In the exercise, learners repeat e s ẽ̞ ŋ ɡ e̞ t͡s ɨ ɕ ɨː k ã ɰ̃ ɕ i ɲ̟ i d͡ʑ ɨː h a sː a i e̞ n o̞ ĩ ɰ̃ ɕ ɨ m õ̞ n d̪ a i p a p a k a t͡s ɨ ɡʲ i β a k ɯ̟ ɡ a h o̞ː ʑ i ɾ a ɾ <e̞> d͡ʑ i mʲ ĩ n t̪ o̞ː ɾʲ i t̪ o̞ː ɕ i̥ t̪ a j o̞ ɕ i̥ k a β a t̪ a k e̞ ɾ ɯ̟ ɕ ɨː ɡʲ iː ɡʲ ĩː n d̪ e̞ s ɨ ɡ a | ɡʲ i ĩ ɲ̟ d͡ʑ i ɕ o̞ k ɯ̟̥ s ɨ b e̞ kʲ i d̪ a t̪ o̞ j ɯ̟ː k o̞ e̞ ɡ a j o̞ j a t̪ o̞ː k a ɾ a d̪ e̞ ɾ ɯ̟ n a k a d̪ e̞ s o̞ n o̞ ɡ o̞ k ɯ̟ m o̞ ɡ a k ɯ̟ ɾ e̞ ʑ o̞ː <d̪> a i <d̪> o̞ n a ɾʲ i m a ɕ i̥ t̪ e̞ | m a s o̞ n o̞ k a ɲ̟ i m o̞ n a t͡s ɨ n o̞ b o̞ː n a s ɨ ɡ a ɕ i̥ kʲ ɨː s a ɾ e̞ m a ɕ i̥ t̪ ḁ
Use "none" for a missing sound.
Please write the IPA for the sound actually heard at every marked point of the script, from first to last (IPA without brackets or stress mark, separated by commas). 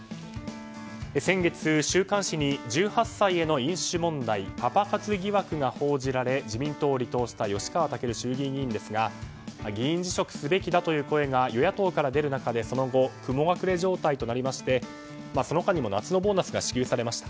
e̞, t̪, t̪